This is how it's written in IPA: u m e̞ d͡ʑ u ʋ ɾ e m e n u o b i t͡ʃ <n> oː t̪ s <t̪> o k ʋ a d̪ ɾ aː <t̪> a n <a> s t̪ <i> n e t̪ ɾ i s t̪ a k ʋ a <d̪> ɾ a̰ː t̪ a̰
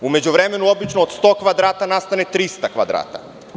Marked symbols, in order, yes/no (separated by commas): yes, yes, yes, yes, no, yes